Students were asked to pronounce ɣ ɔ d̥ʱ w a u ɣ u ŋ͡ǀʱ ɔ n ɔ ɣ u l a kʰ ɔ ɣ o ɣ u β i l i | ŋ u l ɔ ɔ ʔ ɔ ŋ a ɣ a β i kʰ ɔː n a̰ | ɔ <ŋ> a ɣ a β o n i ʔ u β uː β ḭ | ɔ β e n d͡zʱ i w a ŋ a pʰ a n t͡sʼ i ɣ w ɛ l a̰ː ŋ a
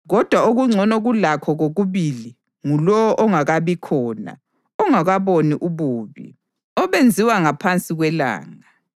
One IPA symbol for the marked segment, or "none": ŋ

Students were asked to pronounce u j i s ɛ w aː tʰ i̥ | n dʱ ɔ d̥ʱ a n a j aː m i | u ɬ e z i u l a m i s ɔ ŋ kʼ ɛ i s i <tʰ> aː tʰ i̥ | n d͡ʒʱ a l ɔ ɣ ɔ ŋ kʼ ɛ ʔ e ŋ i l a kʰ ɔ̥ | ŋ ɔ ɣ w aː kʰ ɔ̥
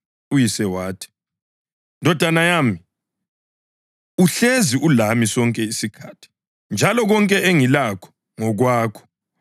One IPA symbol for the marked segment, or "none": kʰ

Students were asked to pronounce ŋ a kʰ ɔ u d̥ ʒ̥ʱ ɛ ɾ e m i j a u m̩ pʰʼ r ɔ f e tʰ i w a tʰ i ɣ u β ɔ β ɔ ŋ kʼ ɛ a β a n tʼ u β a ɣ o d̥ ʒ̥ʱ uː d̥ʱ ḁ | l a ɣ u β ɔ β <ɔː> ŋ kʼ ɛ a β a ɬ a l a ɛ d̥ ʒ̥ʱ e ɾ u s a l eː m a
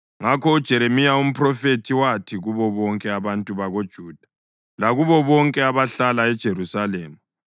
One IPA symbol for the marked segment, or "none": ɔ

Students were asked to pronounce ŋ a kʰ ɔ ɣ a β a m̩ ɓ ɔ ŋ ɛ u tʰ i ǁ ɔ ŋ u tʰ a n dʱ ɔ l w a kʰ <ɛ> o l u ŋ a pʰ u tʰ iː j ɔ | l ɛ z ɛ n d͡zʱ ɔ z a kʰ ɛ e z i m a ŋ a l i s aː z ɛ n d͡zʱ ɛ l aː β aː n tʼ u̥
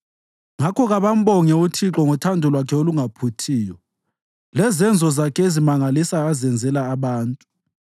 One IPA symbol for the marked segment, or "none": ɛ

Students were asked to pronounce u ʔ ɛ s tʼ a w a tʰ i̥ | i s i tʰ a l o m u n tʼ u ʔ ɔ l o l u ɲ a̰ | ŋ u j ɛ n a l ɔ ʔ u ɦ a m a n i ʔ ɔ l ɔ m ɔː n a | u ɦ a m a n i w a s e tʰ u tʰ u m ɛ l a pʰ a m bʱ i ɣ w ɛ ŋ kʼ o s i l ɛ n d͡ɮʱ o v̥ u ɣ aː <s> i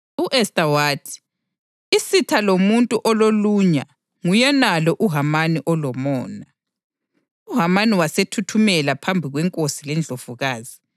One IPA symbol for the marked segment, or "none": z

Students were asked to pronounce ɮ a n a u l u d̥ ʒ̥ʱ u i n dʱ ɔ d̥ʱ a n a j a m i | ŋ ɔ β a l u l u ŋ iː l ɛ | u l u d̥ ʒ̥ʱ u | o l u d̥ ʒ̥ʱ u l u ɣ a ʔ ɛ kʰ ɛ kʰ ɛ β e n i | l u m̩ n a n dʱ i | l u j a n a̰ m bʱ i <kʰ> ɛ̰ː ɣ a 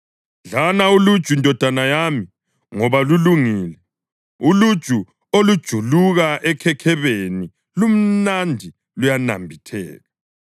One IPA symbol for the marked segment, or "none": tʰ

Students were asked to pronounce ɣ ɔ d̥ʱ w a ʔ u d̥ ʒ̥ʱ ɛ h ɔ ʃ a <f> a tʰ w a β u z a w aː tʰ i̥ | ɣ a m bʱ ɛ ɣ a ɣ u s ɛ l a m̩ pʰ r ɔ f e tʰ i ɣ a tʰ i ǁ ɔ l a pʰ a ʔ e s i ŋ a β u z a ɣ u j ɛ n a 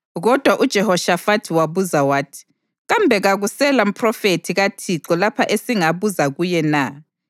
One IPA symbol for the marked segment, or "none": f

